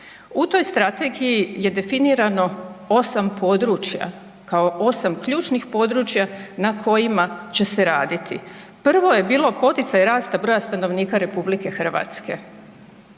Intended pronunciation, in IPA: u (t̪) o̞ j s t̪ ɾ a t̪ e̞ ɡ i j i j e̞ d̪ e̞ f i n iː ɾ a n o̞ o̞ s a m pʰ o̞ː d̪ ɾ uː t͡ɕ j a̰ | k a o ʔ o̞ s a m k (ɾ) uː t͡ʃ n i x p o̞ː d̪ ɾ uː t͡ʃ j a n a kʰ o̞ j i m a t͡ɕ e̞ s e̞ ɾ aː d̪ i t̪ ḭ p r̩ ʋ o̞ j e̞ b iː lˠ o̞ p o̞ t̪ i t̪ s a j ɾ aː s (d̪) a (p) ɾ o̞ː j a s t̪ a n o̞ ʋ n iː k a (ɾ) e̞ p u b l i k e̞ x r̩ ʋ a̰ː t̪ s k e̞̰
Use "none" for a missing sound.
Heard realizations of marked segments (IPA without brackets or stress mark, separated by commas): t̪, ʎ, t̪, b, ɾ